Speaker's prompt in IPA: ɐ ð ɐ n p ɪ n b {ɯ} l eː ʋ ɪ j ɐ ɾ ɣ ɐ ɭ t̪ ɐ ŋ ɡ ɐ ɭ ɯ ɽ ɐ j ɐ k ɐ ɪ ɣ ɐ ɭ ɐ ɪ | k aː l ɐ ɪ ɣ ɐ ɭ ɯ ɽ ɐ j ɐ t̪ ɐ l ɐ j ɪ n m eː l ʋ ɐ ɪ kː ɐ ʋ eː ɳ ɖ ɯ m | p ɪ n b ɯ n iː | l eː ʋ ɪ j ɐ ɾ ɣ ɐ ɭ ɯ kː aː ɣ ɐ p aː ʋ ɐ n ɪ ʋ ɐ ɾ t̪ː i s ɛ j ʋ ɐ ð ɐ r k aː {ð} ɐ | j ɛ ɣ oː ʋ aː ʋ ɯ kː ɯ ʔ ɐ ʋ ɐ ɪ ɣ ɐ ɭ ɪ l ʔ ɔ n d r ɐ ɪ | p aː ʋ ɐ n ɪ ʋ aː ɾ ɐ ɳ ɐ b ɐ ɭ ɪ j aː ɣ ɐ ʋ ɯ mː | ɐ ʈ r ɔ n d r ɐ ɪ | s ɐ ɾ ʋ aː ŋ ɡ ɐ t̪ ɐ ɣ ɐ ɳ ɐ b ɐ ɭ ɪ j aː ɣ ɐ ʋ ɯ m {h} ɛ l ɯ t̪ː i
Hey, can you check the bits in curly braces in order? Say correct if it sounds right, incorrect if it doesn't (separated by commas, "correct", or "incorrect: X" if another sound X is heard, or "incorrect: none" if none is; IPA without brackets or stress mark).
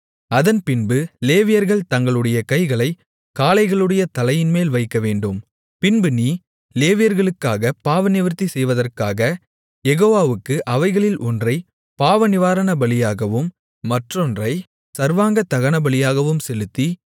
correct, incorrect: ɣ, incorrect: s